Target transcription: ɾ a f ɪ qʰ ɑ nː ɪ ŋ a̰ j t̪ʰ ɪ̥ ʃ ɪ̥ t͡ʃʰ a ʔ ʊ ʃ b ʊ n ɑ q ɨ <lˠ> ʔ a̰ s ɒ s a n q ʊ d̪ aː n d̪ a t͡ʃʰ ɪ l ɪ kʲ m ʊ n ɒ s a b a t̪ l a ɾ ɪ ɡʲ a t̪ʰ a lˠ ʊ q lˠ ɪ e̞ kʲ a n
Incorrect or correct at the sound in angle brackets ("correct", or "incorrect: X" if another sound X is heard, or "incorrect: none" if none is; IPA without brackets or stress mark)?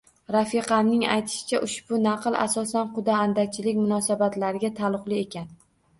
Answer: correct